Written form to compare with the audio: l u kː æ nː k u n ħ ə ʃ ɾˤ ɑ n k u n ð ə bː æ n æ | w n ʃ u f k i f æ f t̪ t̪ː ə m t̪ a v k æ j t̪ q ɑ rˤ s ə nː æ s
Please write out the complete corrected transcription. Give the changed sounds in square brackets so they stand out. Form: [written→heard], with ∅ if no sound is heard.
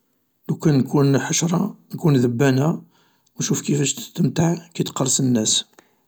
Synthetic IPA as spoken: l u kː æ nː k u n ħ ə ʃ ɾˤ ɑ n k u n ð ə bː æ n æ | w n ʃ u f k i f æ [f→ʃ] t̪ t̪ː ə m t̪ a [v→ʕ] k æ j t̪ q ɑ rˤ s ə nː æ s